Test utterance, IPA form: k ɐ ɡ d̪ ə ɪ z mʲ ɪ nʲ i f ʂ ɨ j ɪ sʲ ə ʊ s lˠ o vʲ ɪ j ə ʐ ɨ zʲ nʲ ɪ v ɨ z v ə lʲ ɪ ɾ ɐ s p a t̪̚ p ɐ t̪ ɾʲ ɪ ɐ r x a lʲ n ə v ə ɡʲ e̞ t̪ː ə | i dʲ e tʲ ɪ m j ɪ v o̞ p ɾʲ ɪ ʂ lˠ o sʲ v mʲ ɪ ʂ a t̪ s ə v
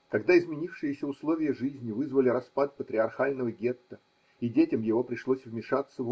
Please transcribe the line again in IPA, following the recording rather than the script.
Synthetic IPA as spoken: k ɐ ɡ d̪ a ɪ z mʲ ɪ nʲ i f ʂ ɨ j ɪ sʲ ə ʊ s lˠ o vʲ ɪ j ə ʐ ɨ zʲ nʲ ɪ v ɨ z v ə lʲ ɪ ɾ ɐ s p a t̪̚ p ə t̪ ɾʲ ɪ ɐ r x a lʲ n ə v ə ɡʲ e̞ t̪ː ə | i dʲ e tʲ ɪ m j ɪ v o̞ p ɾʲ ɪ ʂ lˠ o sʲ v mʲ ɪ ʂ a t̪ s ə v